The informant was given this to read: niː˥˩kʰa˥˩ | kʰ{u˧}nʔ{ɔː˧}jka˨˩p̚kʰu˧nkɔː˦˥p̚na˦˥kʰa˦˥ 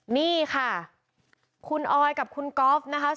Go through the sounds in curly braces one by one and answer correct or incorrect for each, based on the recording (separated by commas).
correct, correct